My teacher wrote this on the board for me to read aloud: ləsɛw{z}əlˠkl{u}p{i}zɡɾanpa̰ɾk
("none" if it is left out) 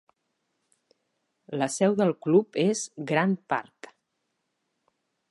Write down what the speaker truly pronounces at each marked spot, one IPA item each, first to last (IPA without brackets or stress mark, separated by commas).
ð, u, e